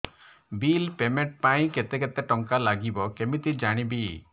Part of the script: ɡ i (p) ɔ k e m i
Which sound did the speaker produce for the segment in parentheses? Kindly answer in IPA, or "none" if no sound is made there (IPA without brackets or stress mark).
b